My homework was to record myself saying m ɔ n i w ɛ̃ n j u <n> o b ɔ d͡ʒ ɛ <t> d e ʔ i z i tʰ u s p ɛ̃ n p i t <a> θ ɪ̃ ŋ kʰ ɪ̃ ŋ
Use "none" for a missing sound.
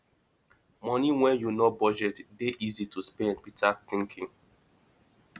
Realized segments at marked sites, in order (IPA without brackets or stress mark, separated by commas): n, t, a